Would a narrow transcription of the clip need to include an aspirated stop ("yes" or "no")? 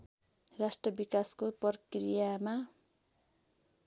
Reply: no